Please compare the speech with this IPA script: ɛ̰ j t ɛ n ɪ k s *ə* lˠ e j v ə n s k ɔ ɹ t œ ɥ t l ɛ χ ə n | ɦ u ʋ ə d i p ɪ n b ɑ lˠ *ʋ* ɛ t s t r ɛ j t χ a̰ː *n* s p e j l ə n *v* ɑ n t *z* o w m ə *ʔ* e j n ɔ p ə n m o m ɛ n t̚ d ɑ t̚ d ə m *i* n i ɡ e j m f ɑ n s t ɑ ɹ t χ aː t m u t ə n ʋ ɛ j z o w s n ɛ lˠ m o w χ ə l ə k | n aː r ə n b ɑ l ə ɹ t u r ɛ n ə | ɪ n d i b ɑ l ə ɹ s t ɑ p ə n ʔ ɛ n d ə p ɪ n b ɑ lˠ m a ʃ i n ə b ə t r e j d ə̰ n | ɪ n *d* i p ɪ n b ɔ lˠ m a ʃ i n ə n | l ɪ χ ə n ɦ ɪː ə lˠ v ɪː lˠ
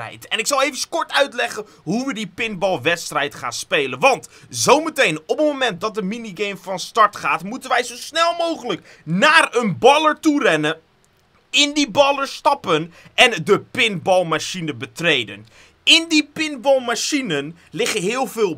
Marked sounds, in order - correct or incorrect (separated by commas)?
incorrect, correct, correct, incorrect, correct, incorrect, correct, correct